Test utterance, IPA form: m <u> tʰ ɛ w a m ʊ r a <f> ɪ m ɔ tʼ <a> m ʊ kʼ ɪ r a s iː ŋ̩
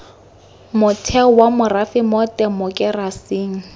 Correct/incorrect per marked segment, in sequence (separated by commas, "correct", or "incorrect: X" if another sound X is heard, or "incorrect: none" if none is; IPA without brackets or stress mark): incorrect: ʊ, correct, incorrect: ɛ